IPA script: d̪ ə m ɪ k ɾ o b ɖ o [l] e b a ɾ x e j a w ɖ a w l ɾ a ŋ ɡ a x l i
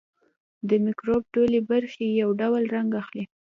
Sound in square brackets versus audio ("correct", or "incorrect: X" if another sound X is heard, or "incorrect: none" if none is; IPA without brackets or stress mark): correct